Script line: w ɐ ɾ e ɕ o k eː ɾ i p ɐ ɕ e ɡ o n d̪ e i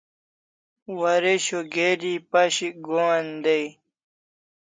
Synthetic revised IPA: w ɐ ɾ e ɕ o ɡ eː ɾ i p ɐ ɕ i ɡ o n d̪ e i